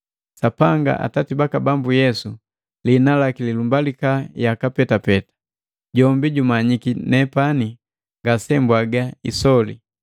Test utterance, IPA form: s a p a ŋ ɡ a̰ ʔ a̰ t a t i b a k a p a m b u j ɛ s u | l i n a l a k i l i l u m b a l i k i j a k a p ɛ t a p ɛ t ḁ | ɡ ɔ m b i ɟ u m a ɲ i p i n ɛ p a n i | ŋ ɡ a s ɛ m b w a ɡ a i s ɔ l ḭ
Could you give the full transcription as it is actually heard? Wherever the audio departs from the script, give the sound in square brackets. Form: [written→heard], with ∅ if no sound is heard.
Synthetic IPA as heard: s a p a ŋ ɡ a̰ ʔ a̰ t a t i b a k a [p→b] a m b u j ɛ s u | l i n a l a k i l i l u m b a l i k [i→a] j a k a p ɛ t a p ɛ t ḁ | [ɡ→ɟ] ɔ m b i ɟ u m a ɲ i [p→k] i n ɛ p a n i | ŋ ɡ a s ɛ m b w a ɡ a i s ɔ l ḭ